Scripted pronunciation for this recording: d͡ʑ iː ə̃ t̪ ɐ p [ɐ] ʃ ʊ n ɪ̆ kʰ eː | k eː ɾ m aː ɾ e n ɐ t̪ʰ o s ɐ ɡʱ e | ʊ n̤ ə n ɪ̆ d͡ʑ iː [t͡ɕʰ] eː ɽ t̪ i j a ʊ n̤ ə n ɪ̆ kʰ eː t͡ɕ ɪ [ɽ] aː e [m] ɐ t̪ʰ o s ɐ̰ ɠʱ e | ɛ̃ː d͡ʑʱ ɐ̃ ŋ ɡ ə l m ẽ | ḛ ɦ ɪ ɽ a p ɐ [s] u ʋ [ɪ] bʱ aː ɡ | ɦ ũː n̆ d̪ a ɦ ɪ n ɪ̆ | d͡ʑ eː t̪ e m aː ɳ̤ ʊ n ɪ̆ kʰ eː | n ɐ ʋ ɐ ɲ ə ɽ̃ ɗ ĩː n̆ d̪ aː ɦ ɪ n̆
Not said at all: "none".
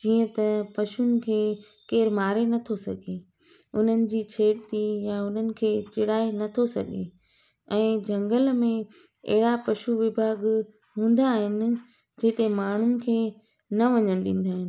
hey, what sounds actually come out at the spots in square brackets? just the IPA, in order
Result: ɐ, t͡ɕʰ, ɽ, n, ʃ, ɪ

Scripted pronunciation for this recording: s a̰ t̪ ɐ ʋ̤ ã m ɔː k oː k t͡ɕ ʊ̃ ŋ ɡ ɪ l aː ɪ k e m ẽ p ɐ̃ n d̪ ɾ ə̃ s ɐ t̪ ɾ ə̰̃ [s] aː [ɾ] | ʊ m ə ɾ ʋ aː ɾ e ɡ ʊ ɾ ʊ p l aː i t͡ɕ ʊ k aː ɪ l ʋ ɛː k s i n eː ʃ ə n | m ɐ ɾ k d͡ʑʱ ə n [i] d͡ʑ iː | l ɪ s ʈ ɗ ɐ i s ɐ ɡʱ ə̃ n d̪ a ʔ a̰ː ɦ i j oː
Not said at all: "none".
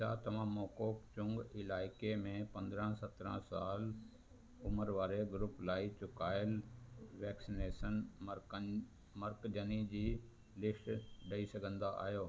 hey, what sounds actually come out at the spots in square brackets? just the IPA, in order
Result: s, l, i

